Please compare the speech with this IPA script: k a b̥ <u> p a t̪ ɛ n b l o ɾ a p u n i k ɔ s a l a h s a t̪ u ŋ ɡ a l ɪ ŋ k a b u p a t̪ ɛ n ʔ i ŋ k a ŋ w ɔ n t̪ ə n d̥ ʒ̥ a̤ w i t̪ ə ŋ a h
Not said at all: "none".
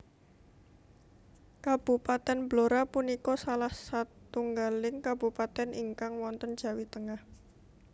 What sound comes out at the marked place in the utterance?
u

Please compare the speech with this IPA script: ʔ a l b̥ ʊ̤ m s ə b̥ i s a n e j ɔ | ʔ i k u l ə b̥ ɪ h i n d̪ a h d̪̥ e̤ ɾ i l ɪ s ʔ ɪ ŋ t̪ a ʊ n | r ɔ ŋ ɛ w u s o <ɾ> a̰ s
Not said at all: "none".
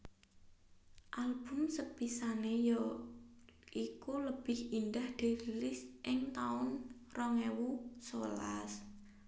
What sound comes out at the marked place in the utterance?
l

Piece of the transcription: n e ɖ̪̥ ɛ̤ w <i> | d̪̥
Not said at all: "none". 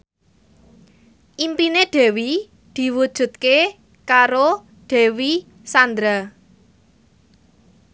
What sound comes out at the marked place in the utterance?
i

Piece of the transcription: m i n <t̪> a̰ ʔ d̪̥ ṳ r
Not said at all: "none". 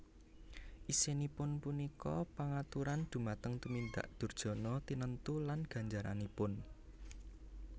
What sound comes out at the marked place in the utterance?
d̪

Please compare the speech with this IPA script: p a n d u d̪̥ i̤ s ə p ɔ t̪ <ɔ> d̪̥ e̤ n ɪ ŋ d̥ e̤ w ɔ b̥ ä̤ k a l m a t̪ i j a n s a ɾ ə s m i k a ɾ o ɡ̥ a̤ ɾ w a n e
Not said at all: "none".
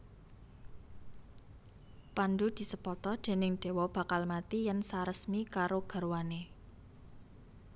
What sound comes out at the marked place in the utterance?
ɔ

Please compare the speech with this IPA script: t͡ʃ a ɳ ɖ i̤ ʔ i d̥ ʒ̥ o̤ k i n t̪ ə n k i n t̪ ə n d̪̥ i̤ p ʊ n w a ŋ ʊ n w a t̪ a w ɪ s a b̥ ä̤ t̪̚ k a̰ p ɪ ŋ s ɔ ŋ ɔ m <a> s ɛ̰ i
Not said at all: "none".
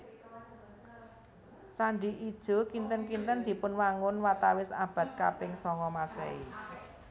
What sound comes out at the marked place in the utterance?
a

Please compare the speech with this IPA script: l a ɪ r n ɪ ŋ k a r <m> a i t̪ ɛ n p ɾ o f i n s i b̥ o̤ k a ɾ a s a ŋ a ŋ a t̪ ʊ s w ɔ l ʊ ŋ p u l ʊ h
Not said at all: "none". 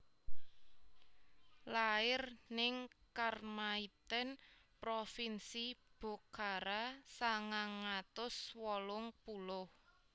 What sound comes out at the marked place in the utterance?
m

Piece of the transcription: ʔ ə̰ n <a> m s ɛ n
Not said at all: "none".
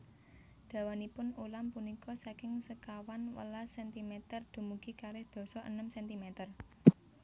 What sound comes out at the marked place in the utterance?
ə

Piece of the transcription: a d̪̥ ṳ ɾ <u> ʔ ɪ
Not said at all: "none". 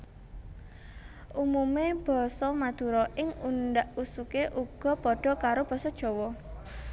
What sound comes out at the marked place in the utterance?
ɔ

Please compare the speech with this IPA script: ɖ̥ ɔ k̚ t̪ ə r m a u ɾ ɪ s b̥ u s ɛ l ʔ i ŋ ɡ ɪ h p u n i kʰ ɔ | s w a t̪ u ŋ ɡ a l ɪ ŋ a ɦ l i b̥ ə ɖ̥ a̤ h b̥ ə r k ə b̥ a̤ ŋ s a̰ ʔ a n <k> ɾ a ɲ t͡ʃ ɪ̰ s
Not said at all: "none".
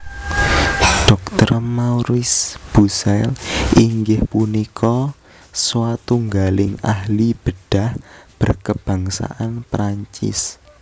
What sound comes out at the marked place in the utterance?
p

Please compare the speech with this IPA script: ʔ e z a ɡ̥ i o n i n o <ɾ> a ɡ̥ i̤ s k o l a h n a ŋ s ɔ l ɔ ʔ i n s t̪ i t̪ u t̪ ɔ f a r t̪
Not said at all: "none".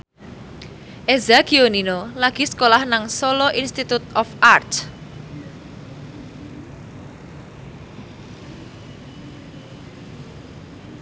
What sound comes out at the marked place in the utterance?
l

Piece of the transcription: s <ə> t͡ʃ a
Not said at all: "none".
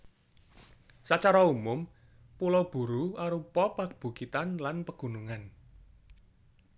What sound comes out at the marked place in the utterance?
a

